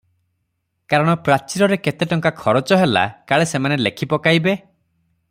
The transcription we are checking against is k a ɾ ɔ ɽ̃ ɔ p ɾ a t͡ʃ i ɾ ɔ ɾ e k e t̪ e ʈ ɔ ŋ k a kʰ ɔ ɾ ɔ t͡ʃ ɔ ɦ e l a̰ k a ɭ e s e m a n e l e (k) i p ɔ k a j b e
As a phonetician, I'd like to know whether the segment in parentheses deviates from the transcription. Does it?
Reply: yes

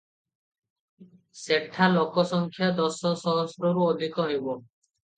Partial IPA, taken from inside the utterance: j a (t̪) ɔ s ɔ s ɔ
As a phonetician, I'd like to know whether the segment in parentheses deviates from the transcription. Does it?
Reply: yes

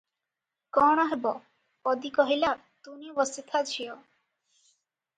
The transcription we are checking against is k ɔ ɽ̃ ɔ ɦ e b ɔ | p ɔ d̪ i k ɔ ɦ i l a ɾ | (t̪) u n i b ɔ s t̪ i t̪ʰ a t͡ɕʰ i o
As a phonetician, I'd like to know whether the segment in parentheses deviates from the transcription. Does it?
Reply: no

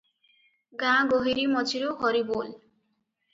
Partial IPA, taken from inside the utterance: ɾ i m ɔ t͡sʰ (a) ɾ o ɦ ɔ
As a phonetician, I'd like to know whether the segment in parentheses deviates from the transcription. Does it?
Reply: yes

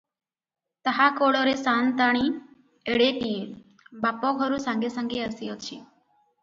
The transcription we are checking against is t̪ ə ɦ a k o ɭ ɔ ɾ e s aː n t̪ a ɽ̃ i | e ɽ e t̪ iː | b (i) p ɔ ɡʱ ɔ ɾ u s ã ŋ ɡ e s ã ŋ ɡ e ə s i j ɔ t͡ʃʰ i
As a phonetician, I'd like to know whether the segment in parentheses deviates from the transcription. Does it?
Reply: yes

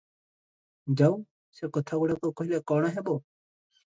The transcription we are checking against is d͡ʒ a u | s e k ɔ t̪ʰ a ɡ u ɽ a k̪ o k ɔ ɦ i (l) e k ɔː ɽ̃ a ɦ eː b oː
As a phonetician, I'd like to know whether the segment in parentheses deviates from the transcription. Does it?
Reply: no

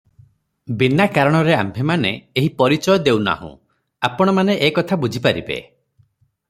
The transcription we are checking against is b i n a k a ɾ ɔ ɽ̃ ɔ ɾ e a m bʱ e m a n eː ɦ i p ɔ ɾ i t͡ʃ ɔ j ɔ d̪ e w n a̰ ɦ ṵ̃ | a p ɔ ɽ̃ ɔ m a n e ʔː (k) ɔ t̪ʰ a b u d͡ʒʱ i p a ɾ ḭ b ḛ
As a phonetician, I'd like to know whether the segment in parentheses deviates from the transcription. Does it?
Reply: no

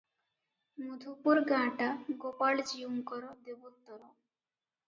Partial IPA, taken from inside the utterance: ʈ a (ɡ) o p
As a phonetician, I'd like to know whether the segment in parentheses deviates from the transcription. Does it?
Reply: no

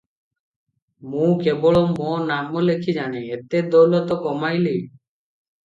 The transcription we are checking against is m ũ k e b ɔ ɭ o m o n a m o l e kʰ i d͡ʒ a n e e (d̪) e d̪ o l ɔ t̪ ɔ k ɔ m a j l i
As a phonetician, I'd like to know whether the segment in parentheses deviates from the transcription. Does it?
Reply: yes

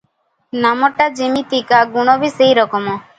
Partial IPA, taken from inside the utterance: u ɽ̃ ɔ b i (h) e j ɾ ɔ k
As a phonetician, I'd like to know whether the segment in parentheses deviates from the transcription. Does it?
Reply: yes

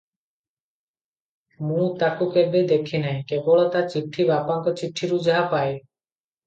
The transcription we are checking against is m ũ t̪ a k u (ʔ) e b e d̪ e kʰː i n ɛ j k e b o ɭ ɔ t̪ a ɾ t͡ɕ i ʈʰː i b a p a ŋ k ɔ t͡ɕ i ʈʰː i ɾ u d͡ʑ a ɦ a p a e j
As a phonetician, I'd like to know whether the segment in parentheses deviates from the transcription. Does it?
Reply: yes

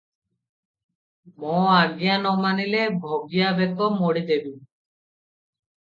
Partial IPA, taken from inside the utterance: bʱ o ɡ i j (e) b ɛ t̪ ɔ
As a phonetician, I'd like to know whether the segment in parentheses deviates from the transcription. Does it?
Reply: yes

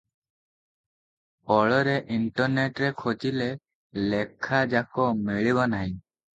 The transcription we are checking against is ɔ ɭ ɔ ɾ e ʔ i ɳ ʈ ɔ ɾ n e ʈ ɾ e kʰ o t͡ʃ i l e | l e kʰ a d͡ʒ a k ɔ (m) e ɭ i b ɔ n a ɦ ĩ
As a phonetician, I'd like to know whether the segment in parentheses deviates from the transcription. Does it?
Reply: no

